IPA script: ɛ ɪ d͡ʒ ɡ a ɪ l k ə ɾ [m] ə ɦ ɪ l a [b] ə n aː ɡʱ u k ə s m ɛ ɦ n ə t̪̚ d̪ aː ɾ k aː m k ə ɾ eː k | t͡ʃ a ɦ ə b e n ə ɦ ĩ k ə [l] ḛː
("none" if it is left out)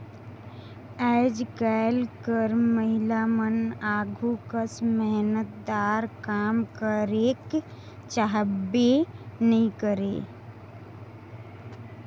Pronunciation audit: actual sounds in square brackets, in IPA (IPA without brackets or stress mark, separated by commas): m, m, ɾ